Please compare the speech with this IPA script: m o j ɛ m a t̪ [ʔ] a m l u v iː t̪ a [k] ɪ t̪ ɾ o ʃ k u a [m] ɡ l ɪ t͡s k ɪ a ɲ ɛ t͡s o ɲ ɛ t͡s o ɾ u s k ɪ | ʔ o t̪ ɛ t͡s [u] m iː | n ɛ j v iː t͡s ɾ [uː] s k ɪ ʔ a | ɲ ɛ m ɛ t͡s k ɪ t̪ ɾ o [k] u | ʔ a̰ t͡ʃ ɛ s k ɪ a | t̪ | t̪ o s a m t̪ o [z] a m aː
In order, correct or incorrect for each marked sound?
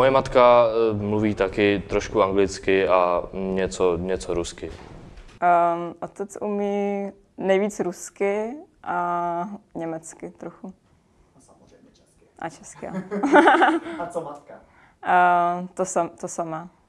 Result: incorrect, correct, incorrect, correct, incorrect, incorrect, incorrect

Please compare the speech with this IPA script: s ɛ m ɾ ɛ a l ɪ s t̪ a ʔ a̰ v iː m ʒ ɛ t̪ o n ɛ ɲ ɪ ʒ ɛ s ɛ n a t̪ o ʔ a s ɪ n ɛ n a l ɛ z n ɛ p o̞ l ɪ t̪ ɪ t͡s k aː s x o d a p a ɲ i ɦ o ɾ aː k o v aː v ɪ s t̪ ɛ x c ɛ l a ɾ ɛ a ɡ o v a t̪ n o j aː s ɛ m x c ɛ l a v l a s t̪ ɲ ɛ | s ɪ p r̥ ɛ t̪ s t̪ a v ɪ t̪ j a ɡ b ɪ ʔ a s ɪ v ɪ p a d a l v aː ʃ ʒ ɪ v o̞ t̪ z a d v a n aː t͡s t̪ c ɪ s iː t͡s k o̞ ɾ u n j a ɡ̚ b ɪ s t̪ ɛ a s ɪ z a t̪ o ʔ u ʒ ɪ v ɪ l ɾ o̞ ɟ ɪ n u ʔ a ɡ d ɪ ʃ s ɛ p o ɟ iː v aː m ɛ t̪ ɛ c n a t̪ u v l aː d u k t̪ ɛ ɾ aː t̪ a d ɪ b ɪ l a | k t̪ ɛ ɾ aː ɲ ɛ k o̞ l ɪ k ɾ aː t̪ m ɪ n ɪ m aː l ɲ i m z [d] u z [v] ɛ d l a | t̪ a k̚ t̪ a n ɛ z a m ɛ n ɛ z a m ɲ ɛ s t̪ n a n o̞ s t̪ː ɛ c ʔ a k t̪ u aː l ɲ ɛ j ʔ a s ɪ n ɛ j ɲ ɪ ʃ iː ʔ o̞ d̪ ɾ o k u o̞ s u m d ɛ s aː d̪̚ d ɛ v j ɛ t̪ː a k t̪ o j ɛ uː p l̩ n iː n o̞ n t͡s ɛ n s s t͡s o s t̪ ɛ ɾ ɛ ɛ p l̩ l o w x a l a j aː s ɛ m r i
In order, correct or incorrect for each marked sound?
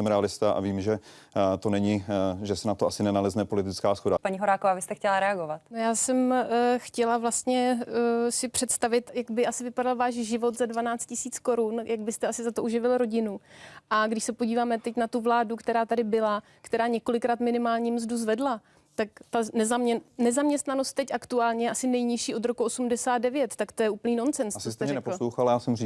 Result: correct, correct

